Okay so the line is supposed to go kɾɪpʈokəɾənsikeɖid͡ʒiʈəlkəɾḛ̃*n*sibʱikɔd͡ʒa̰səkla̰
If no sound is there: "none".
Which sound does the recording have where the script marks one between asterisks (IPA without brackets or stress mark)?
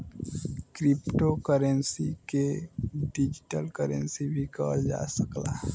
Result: n